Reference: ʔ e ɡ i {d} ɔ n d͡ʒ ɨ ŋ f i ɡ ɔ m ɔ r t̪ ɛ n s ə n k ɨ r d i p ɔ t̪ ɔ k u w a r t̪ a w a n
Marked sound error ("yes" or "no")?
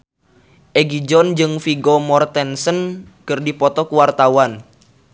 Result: yes